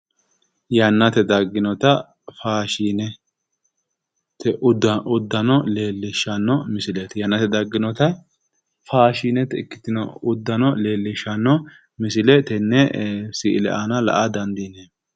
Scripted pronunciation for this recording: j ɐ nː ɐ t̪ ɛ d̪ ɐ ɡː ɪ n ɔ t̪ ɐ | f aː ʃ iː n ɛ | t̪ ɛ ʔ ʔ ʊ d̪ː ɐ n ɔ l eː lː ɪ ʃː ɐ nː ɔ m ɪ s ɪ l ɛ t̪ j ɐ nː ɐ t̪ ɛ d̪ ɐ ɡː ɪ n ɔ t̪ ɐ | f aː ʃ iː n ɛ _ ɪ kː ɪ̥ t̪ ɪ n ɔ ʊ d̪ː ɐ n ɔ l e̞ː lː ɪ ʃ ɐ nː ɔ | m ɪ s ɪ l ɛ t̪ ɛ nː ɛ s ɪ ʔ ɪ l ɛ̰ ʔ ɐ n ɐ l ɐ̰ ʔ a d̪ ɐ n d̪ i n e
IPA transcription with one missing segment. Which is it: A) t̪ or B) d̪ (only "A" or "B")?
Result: A